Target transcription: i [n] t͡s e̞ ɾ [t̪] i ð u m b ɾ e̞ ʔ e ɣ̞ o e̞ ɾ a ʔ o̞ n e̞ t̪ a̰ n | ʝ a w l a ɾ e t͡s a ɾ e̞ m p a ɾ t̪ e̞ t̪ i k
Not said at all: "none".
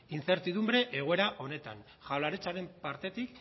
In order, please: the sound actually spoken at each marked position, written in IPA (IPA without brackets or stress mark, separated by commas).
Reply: n, t̪